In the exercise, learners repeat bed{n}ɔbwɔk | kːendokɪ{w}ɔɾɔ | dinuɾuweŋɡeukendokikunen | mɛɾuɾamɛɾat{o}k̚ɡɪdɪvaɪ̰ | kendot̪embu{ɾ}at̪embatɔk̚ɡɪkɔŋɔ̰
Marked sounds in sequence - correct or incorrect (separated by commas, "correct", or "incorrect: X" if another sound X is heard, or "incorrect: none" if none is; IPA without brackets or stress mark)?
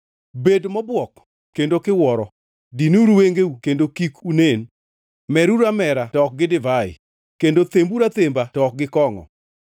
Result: incorrect: m, correct, incorrect: ɔ, correct